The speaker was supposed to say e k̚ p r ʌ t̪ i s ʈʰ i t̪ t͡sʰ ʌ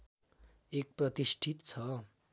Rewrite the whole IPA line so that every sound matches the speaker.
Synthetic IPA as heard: e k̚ p r ʌ t̪ i s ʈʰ i t̪ t͡sʰ ʌ